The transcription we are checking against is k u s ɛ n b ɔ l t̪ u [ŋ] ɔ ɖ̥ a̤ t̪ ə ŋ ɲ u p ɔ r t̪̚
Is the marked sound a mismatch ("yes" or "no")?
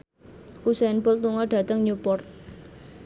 no